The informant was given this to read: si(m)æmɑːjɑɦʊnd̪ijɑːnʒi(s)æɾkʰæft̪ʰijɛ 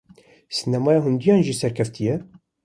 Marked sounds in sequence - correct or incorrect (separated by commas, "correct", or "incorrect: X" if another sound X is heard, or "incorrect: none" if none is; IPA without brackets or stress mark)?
incorrect: n, correct